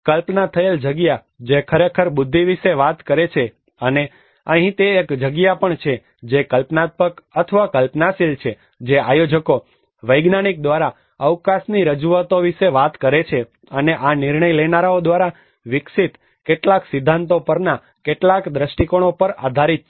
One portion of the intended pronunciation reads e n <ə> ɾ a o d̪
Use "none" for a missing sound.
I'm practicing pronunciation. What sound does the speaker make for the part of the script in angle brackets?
a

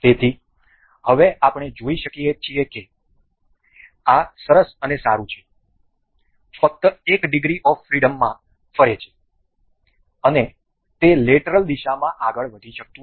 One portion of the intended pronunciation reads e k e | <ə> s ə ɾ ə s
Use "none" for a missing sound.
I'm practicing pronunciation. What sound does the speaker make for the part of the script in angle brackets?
a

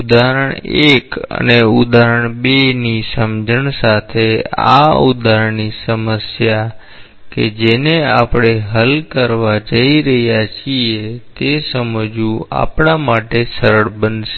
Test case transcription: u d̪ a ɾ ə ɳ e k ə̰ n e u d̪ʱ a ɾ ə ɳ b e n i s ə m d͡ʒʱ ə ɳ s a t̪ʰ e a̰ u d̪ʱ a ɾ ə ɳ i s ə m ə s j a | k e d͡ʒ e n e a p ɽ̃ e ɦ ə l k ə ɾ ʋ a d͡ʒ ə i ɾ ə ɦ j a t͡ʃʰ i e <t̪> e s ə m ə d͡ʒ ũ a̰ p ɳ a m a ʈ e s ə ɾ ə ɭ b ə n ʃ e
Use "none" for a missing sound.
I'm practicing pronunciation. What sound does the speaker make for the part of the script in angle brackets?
t̪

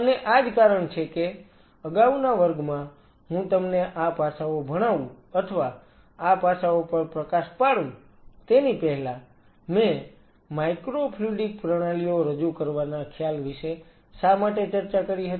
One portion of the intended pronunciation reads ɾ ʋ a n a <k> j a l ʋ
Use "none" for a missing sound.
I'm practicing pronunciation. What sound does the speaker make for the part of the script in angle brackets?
kʰ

